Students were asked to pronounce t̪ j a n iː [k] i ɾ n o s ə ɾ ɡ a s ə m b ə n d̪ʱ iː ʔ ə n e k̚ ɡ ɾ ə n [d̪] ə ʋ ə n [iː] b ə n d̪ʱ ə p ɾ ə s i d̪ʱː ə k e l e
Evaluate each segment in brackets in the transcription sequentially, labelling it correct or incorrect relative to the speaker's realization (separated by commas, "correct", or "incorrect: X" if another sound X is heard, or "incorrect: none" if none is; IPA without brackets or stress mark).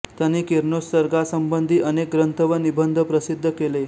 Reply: correct, incorrect: t̪, incorrect: i